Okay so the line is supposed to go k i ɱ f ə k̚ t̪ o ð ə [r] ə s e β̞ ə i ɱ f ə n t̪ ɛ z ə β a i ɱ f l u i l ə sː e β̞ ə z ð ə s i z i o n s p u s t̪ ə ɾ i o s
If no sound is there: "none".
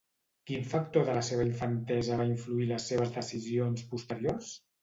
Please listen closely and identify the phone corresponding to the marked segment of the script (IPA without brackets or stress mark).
l